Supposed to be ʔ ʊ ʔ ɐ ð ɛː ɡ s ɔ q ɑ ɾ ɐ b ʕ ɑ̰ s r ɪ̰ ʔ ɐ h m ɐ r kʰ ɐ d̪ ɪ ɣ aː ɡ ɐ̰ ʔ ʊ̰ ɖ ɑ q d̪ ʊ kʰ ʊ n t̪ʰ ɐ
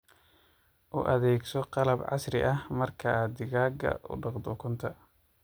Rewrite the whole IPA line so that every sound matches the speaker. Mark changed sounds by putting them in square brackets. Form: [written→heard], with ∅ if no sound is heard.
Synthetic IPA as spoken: ʔ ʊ ʔ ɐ ð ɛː ɡ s ɔ q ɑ [ɾ→l] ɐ b ʕ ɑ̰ s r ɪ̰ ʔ ɐ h m ɐ r kʰ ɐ d̪ ɪ ɣ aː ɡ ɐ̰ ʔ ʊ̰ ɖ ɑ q d̪ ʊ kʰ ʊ n t̪ʰ ɐ